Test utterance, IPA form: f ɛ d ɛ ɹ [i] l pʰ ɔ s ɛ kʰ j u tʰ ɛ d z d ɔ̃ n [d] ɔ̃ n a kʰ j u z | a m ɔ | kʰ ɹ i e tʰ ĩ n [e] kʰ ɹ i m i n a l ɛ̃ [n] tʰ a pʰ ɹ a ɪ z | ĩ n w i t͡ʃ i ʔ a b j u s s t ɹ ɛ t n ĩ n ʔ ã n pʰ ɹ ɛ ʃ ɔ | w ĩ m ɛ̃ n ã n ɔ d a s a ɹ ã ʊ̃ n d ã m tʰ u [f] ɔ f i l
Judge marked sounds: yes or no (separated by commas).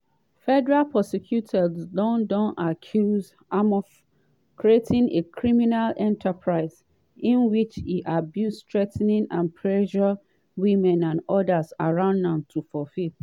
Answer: no, yes, yes, yes, yes